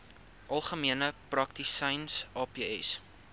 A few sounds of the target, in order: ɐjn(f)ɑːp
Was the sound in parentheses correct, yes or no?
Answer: no